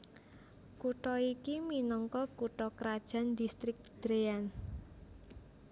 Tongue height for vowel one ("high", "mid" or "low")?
high